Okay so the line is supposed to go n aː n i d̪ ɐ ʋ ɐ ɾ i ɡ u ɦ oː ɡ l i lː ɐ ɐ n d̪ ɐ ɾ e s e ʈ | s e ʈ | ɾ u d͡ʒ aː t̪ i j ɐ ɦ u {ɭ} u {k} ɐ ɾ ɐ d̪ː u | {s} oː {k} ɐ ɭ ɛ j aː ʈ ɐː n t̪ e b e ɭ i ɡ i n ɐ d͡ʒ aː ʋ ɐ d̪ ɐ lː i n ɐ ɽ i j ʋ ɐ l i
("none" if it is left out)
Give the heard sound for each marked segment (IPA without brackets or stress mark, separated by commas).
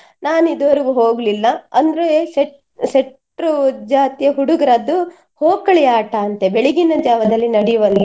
ɽ, ɡ, h, k